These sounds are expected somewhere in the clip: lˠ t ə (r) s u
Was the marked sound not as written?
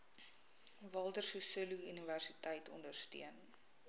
no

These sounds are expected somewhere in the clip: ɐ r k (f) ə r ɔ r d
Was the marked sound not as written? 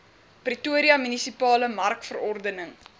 no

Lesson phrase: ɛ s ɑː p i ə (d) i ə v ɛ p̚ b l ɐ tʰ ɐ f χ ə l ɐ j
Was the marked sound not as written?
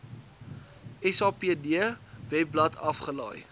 no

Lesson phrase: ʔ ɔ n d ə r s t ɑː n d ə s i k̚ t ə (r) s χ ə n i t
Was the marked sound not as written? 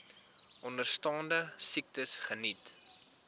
yes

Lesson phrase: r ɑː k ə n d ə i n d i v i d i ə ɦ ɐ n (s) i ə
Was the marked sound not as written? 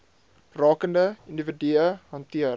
yes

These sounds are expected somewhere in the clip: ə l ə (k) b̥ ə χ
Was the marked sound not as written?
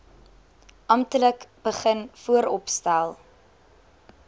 no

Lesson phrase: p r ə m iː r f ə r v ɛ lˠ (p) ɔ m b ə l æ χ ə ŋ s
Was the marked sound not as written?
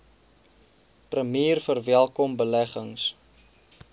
yes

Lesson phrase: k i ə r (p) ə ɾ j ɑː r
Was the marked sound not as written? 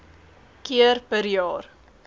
no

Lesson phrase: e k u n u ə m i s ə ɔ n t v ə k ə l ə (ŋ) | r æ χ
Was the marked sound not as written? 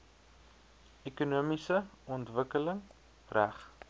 no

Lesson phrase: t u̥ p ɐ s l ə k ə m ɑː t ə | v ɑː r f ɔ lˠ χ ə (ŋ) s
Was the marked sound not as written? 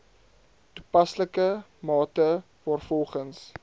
yes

